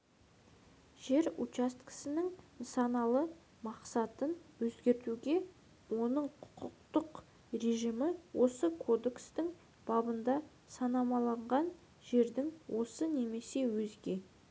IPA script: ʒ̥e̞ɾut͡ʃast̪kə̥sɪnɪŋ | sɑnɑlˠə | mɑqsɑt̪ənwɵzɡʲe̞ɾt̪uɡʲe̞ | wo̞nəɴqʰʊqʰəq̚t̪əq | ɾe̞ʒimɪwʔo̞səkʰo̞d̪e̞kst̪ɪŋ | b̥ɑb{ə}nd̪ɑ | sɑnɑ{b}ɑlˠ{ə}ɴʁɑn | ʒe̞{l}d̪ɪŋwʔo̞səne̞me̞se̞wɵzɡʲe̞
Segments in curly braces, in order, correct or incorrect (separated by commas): correct, incorrect, incorrect, incorrect